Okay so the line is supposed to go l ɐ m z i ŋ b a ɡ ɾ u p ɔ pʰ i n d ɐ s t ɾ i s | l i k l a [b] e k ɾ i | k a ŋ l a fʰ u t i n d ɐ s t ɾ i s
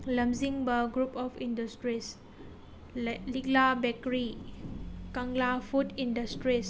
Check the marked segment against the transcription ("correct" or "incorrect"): correct